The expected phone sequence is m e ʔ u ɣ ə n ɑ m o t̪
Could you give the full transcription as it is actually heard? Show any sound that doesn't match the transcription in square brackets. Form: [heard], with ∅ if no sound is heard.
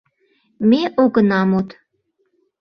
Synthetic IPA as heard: m e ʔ [o] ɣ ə n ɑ m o t̪